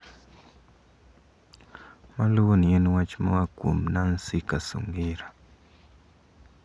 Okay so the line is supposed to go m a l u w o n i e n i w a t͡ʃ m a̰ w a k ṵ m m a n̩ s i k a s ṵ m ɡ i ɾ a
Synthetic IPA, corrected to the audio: m a l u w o n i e n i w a t͡ʃ m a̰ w a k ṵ m n a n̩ s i k a s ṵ ŋ ɡ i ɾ a